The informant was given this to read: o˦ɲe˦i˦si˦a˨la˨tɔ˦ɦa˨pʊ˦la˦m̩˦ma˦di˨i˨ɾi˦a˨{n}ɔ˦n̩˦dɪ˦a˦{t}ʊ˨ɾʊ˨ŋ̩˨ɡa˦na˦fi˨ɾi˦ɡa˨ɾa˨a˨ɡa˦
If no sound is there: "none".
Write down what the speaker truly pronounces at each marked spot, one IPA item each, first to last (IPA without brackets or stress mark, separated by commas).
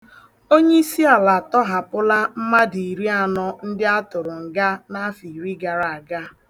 n, t